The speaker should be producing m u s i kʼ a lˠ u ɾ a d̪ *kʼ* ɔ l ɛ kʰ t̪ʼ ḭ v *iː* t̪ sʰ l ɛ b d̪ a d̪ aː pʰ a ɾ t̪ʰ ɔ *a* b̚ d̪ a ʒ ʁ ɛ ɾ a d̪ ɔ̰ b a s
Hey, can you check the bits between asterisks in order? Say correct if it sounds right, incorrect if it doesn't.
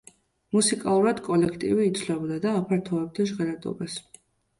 correct, correct, incorrect

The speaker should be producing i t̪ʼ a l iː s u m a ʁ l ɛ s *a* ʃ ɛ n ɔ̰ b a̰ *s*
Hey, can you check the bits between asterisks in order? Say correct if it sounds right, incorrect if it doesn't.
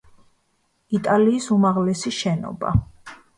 incorrect, incorrect

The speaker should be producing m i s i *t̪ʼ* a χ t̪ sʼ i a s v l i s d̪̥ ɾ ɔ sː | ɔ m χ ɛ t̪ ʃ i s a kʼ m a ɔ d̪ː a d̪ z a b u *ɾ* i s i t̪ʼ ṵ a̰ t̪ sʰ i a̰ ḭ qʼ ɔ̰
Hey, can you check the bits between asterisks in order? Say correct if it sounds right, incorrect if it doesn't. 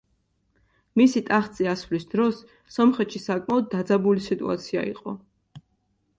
correct, incorrect

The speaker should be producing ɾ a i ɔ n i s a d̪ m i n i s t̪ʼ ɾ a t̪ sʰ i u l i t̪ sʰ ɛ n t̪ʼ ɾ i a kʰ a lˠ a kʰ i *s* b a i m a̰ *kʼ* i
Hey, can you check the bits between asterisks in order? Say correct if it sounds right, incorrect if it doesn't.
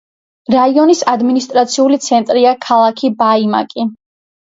incorrect, correct

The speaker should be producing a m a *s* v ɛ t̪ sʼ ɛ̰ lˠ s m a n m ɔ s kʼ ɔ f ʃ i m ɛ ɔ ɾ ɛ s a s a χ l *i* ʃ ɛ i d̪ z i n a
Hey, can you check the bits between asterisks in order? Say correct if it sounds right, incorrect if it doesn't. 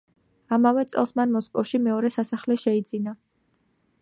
incorrect, incorrect

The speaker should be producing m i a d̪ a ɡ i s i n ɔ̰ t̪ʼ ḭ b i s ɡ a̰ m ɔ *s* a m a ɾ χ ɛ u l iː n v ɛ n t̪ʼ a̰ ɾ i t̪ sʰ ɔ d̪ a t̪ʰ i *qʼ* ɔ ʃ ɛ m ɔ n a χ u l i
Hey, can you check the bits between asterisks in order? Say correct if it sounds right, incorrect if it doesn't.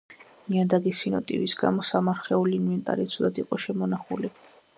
correct, correct

